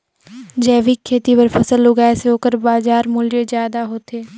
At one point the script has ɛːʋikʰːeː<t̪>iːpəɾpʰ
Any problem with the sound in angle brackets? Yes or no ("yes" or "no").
no